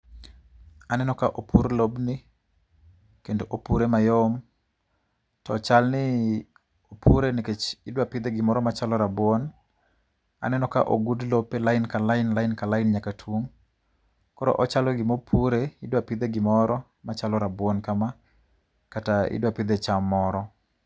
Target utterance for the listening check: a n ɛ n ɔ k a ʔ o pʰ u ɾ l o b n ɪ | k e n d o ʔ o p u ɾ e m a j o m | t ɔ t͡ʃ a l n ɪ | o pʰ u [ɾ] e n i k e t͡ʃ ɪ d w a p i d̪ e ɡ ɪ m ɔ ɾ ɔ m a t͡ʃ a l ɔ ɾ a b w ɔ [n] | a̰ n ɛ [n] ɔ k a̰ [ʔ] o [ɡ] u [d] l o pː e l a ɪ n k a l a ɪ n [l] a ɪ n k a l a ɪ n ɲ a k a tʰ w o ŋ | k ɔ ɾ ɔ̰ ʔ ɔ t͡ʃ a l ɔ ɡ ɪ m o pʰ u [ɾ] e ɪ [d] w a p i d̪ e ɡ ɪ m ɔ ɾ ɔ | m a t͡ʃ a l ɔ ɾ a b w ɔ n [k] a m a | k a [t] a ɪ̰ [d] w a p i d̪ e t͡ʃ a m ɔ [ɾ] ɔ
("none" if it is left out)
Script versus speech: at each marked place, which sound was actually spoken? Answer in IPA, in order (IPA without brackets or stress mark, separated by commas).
ɾ, n, n, ʔ, ɡ, d, l, ɾ, d, k, t, d, ɾ